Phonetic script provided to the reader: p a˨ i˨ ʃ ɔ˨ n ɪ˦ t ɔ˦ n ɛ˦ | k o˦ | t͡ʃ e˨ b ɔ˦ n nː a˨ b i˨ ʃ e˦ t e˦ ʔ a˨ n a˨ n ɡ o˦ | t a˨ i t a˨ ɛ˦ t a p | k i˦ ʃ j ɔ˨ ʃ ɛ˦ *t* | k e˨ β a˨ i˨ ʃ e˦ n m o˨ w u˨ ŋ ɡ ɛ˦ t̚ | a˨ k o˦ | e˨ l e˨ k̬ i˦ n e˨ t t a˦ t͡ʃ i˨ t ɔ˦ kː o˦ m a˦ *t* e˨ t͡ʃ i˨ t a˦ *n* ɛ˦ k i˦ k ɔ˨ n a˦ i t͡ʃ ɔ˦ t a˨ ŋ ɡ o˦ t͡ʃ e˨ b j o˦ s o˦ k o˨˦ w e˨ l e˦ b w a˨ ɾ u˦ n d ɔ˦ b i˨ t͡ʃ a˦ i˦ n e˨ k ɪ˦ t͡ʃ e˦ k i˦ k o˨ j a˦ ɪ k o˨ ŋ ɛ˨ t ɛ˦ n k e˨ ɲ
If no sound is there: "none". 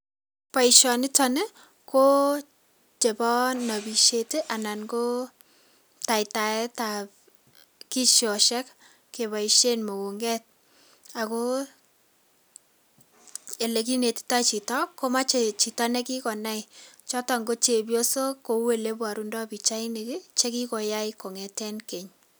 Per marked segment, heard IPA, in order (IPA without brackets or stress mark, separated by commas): k, t͡ʃ, n